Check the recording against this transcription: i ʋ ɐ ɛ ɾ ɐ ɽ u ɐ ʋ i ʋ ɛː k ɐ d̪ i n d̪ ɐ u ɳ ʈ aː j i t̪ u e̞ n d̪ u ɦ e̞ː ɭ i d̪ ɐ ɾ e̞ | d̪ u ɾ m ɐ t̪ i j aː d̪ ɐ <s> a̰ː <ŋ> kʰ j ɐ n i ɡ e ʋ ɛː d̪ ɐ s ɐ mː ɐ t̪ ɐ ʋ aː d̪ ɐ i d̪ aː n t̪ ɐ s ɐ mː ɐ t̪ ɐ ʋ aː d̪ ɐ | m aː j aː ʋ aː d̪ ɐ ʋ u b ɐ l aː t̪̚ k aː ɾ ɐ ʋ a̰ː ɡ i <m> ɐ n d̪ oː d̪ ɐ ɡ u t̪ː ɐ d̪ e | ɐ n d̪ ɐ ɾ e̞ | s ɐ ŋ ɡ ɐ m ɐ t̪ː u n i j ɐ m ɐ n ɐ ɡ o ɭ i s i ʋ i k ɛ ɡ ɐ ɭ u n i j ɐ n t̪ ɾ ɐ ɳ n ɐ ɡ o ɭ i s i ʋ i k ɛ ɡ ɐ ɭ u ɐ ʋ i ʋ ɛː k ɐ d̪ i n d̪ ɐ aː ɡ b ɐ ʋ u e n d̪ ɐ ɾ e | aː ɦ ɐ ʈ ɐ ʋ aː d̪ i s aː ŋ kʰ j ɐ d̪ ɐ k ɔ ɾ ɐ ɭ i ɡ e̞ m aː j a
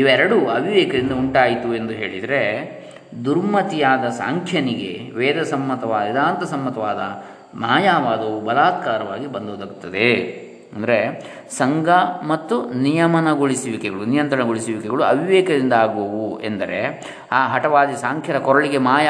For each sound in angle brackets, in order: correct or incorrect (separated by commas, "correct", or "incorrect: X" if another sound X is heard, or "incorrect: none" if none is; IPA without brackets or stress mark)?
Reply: correct, correct, incorrect: b